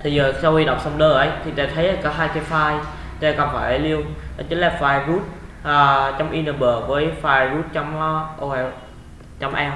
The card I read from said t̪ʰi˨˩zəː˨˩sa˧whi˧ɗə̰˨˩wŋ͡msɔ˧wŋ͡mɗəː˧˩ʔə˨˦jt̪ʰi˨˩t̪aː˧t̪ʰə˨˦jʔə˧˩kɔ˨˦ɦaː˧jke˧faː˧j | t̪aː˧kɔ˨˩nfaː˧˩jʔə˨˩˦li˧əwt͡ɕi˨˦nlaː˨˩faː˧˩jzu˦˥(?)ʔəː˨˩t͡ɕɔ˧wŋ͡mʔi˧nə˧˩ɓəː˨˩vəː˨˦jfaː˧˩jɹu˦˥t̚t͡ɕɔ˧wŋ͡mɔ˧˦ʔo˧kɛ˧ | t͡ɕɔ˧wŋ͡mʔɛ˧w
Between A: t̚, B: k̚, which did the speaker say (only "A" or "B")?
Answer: A